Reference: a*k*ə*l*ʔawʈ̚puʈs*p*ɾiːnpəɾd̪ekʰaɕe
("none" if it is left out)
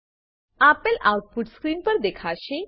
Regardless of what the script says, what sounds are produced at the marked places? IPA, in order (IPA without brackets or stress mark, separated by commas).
p, l, k